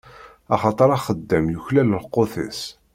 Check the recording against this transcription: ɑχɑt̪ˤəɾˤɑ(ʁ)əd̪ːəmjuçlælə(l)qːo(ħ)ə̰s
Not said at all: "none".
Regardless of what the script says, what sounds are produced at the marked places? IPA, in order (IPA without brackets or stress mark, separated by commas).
χ, l, θ